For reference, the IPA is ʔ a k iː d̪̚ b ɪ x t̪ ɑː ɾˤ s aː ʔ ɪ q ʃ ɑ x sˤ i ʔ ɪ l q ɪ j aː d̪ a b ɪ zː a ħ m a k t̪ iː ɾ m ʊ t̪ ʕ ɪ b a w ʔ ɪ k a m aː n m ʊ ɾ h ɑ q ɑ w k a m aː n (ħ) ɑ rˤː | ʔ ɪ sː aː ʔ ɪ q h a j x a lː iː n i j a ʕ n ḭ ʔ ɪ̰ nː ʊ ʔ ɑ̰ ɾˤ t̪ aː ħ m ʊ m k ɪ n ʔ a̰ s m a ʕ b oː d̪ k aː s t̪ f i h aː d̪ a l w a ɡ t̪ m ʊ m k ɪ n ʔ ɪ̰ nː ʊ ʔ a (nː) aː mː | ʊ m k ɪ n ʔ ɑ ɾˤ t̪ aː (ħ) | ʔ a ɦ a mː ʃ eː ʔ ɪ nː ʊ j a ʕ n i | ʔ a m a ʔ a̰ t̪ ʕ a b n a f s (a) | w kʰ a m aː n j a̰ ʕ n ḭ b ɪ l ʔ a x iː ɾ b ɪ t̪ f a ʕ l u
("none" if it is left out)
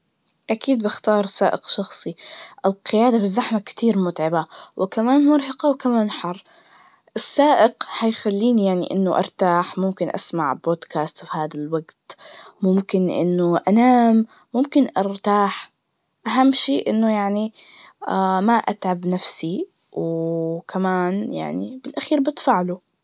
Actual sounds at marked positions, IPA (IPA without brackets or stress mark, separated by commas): ħ, n, ħ, i